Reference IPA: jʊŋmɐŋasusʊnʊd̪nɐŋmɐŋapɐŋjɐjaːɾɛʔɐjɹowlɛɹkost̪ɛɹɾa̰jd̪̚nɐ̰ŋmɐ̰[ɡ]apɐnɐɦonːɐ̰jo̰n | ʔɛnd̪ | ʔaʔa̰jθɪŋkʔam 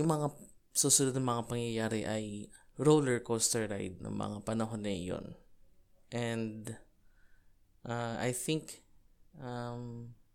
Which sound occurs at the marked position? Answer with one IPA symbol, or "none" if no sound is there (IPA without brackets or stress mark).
ŋ